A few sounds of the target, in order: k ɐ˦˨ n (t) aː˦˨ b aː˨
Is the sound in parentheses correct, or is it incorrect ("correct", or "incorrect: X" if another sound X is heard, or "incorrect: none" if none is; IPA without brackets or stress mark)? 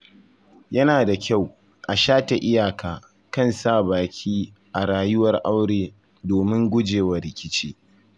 incorrect: s